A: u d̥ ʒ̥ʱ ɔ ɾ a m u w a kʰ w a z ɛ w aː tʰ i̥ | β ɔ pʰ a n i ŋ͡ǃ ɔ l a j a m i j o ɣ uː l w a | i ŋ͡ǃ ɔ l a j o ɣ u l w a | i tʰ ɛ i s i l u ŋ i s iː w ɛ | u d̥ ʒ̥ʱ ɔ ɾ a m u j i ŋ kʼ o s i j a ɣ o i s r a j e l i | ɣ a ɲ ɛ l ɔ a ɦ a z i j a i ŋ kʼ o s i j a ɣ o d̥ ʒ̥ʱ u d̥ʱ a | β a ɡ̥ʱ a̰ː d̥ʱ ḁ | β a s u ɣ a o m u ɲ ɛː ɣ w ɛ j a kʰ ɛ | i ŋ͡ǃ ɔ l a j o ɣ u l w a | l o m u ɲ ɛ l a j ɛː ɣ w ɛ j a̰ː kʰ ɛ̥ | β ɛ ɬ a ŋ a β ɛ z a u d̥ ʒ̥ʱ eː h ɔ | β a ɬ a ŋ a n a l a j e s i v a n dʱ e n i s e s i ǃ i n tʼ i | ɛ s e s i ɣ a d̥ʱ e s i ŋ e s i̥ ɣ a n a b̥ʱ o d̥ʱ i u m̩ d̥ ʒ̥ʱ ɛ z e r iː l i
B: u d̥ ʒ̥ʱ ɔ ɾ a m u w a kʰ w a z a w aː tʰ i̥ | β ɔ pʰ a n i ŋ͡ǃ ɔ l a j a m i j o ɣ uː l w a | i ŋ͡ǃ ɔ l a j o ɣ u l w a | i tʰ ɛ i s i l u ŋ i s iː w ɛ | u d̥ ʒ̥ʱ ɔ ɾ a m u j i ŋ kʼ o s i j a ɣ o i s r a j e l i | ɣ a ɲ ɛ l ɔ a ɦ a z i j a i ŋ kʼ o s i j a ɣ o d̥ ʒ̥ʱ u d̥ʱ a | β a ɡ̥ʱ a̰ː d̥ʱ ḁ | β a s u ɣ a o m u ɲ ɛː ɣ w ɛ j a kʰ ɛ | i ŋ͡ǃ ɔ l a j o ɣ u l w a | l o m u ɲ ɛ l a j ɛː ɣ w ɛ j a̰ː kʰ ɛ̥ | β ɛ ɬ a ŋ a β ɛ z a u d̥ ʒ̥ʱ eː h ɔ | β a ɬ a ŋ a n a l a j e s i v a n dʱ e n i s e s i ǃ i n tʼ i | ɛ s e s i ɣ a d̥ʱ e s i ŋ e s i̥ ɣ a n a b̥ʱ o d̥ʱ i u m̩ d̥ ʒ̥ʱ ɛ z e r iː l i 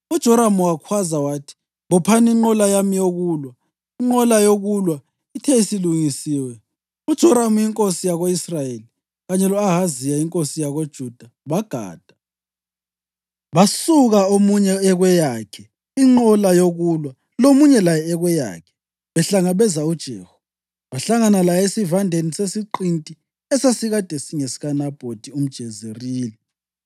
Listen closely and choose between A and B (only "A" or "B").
B